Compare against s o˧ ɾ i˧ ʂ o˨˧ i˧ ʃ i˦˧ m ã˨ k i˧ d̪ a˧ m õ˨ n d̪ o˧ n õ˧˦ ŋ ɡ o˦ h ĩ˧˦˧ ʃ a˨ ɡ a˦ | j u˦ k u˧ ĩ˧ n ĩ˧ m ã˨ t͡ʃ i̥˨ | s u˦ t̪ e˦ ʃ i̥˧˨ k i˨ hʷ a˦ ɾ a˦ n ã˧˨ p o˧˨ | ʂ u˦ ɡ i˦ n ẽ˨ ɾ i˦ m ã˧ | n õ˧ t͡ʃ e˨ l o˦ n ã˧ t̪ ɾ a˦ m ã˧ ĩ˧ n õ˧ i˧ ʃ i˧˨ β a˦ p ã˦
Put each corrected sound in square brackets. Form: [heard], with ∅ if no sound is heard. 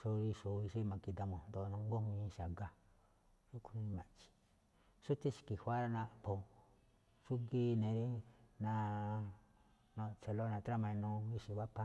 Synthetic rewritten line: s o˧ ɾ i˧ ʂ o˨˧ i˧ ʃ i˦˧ m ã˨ k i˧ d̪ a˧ m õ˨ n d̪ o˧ n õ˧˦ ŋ ɡ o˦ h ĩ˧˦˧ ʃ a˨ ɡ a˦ | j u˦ k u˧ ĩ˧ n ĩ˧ m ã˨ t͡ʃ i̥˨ | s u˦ t̪ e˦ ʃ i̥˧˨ k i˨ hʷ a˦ ɾ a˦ n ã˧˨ p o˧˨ | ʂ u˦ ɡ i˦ n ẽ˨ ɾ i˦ [n] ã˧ | n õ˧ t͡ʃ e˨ l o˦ n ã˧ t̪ ɾ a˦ m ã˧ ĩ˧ n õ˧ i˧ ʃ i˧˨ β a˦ p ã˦

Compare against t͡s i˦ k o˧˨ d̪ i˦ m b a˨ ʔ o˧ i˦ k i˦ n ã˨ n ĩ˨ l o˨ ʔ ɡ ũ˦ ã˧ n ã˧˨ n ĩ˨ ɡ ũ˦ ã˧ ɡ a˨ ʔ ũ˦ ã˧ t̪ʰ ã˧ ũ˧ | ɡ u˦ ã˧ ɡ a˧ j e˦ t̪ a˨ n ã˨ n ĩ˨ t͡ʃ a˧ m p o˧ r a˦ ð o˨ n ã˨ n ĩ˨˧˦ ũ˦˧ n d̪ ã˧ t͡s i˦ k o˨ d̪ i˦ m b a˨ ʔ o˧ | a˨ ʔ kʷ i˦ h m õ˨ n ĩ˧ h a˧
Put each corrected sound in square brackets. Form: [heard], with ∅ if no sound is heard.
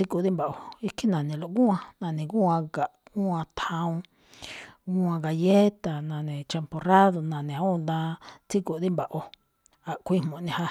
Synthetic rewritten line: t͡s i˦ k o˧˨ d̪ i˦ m b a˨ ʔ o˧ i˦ k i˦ n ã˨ n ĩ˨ l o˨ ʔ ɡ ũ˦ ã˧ n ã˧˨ n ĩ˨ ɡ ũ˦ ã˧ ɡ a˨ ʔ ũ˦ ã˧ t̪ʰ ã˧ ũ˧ | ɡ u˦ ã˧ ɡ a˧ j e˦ t̪ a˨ n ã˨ n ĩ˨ t͡ʃ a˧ m p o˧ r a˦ ð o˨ n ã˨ n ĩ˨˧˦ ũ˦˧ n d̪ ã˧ t͡s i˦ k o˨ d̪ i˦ m b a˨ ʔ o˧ | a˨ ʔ kʷ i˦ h m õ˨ n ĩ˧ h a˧

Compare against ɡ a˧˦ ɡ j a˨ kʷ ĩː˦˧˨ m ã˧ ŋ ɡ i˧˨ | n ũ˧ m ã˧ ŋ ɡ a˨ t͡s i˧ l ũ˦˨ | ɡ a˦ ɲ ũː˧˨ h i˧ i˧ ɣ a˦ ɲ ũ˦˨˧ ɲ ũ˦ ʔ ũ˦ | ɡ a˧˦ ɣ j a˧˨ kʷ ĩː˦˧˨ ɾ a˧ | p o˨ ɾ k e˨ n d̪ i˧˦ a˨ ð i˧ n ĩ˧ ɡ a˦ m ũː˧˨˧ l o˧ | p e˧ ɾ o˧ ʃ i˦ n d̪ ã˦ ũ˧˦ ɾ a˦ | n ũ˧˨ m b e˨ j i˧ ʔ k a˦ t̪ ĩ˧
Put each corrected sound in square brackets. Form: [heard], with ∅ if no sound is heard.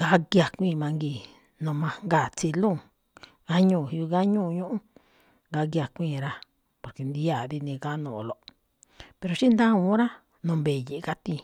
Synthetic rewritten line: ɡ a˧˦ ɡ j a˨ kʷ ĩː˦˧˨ m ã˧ ŋ ɡ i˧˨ | n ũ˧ m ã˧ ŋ ɡ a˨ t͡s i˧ l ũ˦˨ | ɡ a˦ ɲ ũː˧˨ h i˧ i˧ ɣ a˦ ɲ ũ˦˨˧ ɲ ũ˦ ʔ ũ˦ | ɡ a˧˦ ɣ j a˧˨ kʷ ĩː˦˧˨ ɾ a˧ | p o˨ ɾ k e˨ n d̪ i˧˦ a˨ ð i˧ n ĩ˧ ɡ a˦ [n] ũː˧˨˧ l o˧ | p e˧ ɾ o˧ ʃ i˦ n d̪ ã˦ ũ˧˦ ɾ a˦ | n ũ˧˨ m b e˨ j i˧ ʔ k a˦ t̪ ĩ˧

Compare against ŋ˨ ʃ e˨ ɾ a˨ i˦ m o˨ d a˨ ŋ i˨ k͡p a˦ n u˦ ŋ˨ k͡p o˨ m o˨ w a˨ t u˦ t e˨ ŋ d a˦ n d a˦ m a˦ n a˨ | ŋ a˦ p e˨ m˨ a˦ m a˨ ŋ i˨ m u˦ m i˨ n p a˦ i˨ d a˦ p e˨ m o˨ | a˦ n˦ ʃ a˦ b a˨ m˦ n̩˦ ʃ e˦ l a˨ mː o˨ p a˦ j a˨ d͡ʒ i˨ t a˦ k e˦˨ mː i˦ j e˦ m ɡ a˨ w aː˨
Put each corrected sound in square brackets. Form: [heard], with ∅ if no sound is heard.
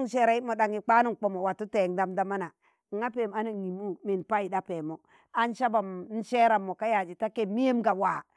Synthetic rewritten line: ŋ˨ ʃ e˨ ɾ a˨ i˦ m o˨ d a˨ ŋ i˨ k͡p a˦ n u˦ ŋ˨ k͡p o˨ m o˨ w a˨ t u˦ t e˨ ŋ d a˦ [m] d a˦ m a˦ n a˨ | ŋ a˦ p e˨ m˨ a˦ [n] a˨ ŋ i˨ m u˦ m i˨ n p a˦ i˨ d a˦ p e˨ m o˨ | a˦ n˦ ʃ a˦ b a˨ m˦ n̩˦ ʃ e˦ [ɾ] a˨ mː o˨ [k] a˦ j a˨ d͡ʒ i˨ t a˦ k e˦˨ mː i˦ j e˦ m ɡ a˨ w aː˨

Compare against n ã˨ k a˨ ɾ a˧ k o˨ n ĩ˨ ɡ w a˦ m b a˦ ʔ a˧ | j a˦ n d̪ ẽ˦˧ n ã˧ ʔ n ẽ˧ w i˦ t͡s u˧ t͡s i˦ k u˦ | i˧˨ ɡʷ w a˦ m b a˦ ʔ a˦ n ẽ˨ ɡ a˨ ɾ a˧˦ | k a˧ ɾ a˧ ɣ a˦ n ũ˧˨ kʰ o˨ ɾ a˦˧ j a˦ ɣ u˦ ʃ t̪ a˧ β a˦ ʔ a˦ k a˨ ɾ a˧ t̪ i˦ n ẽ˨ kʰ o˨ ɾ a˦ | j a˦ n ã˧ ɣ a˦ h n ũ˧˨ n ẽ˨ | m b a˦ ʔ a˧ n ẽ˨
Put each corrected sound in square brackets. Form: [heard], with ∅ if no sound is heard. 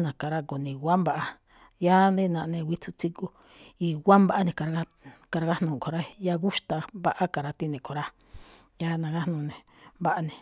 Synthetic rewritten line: n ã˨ k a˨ ɾ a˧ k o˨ n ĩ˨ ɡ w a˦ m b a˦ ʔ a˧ | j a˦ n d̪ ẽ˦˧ n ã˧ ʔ n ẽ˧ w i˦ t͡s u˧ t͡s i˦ k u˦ | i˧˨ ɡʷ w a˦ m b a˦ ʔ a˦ n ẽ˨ [k] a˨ ɾ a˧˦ | k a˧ ɾ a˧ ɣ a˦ n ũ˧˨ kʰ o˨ ɾ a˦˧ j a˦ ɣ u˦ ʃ t̪ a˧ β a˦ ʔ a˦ k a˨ ɾ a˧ t̪ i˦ n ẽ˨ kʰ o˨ ɾ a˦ | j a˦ n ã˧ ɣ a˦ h n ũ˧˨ n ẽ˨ | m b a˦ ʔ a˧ n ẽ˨

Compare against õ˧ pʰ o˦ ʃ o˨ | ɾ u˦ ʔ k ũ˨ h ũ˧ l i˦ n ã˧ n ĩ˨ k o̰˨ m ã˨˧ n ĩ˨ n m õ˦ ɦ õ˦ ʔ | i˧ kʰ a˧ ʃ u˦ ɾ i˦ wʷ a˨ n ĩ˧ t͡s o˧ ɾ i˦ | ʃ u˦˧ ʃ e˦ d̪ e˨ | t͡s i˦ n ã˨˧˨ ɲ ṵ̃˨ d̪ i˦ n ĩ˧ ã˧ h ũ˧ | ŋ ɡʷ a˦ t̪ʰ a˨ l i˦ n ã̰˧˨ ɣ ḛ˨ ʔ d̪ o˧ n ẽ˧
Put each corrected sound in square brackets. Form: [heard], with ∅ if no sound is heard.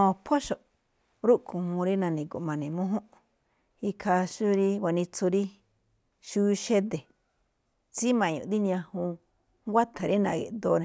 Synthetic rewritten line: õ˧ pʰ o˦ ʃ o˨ | ɾ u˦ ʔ k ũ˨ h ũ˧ [ɾ] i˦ n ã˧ n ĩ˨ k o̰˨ m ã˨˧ n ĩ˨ [∅] m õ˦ ɦ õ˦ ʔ | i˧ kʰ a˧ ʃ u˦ ɾ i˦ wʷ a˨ n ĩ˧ t͡s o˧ ɾ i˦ | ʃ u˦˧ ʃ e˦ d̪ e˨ | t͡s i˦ [m] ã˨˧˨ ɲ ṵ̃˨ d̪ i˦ n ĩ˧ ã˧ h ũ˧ | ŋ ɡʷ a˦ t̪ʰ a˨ [ɾ] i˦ n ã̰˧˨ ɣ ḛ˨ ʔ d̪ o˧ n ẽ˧

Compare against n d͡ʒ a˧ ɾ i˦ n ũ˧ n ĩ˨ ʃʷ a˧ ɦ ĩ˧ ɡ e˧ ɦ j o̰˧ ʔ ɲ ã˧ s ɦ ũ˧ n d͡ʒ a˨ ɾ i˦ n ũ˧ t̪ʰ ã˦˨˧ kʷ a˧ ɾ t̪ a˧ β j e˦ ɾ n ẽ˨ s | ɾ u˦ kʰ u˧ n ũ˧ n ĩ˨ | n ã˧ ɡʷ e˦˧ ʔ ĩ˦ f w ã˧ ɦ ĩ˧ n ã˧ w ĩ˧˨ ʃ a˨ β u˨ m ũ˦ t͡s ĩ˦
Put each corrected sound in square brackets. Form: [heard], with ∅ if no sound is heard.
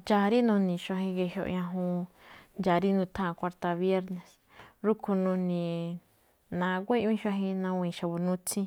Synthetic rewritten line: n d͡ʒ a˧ ɾ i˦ n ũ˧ n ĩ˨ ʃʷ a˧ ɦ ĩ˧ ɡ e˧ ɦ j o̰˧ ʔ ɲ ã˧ [∅] ɦ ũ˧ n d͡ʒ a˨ ɾ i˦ n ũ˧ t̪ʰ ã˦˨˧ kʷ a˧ ɾ t̪ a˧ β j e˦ ɾ n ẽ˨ s | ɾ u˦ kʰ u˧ n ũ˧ n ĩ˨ | n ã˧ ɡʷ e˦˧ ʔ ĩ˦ [ʃ] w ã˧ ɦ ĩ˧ n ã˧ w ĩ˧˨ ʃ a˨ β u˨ [n] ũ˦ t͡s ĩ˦

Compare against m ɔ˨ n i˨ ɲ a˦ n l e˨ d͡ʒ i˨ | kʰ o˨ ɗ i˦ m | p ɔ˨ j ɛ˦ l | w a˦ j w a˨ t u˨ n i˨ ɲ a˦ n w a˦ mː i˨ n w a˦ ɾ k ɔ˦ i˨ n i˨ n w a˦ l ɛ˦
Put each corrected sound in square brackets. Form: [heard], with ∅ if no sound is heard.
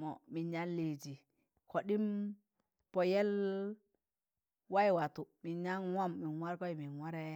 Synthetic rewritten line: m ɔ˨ [m] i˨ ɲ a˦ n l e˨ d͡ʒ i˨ | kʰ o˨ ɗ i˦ m | p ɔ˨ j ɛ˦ l | w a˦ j w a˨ t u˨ [m] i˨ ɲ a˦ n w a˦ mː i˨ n w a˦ ɾ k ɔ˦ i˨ [m] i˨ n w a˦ [ɾ] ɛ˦

